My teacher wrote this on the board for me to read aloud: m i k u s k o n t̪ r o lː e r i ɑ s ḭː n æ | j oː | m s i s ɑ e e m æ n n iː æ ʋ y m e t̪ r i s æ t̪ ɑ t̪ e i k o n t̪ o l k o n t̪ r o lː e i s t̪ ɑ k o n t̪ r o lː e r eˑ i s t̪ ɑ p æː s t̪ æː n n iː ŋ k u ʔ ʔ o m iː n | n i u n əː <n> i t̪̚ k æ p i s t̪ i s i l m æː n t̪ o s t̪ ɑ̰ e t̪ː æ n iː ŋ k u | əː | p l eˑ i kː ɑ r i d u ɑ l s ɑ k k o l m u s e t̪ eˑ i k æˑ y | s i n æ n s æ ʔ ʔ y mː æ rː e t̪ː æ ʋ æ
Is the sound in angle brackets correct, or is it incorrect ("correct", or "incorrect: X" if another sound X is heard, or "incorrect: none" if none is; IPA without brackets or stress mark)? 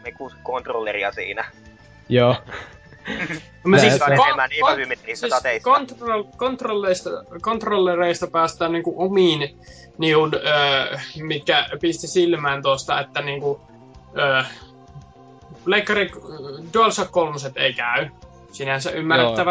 incorrect: m